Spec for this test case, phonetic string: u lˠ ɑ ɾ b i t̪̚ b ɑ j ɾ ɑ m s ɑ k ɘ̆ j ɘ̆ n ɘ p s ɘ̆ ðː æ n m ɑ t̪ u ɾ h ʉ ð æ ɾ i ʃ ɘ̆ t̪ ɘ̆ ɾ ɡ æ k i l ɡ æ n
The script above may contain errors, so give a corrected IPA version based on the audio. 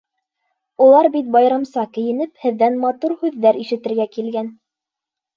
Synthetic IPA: u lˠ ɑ ɾ b i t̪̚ b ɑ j ɾ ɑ m s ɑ k ɘ̆ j ɘ̆ n ɘ p h ɘ̆ ðː æ n m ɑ t̪ u ɾ h ʉ ðː æ ɾ i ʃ ɘ̆ t̪ ɘ̆ ɾ ɡ æ k i l ɡ æ n